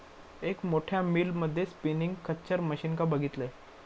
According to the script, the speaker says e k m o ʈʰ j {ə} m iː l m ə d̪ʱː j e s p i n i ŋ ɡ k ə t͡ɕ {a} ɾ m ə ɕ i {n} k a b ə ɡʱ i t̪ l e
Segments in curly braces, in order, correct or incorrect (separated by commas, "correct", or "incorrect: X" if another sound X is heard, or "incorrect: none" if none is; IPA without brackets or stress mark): incorrect: a, incorrect: ə, correct